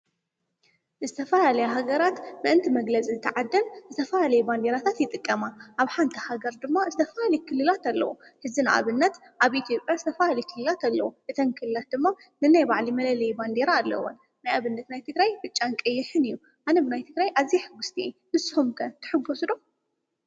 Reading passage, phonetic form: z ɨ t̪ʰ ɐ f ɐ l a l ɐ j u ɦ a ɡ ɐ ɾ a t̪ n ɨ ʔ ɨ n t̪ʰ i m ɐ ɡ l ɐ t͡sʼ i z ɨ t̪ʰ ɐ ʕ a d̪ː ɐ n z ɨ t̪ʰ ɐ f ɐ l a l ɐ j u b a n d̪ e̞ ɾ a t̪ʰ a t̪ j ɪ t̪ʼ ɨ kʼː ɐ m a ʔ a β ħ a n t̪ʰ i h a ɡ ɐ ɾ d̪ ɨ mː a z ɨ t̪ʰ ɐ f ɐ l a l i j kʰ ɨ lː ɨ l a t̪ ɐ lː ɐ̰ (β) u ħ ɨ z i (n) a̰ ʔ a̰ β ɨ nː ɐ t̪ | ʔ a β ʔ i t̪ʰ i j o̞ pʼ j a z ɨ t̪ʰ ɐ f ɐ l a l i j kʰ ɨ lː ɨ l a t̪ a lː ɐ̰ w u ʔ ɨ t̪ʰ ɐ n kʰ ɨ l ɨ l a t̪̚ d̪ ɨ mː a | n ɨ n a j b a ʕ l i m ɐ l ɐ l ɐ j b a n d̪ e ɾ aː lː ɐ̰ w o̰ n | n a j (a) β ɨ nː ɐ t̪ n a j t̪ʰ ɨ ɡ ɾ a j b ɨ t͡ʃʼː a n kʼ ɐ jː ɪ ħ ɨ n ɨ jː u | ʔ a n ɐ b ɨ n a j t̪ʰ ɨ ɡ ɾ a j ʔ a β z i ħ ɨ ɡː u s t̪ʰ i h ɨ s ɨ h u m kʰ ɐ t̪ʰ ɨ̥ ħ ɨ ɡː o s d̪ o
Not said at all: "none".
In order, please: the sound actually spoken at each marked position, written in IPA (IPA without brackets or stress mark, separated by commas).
w, n, a